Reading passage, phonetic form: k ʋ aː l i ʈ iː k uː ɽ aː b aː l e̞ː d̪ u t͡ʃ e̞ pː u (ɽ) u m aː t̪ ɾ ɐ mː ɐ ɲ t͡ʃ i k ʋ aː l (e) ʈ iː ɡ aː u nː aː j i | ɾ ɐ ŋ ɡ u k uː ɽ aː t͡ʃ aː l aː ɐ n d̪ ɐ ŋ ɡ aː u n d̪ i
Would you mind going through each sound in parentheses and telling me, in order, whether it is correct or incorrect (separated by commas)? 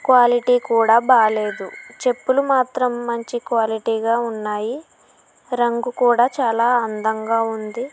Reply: incorrect, incorrect